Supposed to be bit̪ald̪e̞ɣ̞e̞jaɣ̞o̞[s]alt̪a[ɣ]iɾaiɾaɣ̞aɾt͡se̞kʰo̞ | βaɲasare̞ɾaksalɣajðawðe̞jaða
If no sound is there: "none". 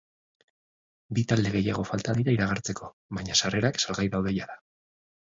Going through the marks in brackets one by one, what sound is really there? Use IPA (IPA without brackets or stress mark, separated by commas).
f, ð